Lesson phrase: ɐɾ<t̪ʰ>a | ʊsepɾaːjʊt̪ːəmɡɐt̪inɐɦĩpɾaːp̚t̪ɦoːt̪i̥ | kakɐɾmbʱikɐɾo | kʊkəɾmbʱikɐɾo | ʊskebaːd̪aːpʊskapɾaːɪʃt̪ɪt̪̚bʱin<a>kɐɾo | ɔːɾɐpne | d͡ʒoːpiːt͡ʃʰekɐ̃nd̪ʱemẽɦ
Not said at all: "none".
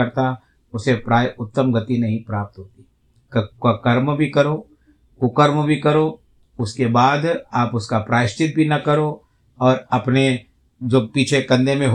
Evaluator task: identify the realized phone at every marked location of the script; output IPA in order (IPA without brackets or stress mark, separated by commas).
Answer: t̪, ɐ